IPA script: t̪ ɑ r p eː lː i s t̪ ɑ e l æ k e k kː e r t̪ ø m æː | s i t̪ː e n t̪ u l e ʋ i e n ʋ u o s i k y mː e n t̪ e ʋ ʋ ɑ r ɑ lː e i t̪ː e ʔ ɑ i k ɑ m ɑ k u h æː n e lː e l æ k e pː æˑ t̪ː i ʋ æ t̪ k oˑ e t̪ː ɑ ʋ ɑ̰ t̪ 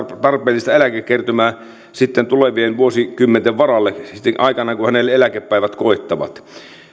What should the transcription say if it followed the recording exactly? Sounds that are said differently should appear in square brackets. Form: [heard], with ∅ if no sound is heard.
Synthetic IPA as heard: t̪ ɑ r p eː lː i s t̪ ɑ e l æ k e k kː e r t̪ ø m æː | s i t̪ː e n t̪ u l e ʋ i e n ʋ u o s i k y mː e n t̪ e ʋ ʋ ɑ r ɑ lː e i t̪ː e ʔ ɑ i k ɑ [n] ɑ k u h [æ] n e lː e l æ k e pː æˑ [∅] i ʋ æ t̪ k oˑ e t̪ː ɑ ʋ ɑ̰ t̪